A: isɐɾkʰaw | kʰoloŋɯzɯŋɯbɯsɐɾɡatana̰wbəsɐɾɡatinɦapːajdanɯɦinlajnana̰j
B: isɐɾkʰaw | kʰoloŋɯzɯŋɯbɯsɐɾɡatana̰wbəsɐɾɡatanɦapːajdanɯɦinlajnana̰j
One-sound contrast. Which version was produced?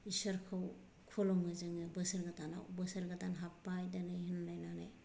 B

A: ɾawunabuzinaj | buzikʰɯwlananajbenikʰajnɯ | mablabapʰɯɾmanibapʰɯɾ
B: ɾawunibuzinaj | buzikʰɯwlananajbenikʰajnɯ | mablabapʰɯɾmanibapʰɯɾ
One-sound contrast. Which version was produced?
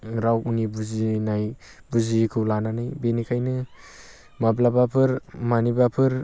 B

